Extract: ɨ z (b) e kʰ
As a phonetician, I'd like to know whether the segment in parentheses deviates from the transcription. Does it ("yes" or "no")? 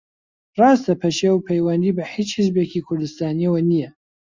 no